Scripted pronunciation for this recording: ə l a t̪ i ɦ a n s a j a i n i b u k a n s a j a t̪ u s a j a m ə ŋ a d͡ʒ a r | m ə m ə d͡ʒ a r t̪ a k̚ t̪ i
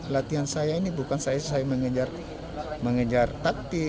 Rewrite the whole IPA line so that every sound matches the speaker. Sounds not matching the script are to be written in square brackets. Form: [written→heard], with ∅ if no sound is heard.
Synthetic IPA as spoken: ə l a t̪ i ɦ a n s a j a i n i b u k a n s a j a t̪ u s a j a m ə ŋ [a→ə] d͡ʒ a r | m ə [m→ŋ] ə d͡ʒ a r t̪ a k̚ t̪ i